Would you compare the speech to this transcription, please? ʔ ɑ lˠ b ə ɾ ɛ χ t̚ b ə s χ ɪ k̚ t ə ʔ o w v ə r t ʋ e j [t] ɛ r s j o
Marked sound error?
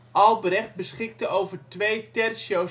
no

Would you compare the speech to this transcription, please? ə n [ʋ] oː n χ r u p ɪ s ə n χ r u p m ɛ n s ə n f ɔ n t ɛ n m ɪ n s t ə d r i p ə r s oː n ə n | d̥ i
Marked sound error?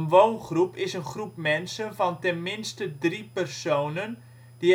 no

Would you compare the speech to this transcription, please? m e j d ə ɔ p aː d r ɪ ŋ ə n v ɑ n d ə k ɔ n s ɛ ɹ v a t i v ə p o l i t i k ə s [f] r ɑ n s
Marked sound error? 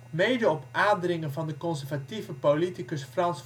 no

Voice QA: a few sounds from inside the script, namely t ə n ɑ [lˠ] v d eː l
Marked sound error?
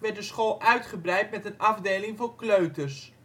yes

